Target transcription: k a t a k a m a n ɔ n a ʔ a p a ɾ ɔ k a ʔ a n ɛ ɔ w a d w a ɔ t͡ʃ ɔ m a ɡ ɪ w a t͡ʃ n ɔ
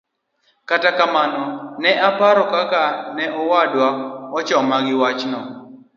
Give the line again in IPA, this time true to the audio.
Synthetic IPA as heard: k a t a k a m a n ɔ n ɛ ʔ a p a ɾ ɔ k a k a n ɛ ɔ w a d w a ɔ t͡ʃ ɔ m a ɡ ɪ w a t͡ʃ n ɔ